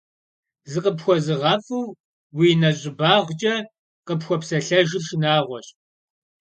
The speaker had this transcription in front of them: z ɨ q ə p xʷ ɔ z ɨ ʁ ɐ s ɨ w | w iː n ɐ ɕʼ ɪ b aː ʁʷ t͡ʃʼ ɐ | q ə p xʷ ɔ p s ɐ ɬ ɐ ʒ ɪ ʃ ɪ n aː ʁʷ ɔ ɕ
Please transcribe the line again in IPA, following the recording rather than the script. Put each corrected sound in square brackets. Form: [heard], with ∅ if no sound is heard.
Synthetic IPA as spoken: z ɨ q ə p xʷ ɔ z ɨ ʁ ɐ [f] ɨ w | w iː n ɐ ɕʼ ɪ b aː ʁʷ t͡ʃʼ ɐ | q ə p xʷ ɔ p s ɐ ɬ ɐ ʒ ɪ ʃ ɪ n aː ʁʷ ɔ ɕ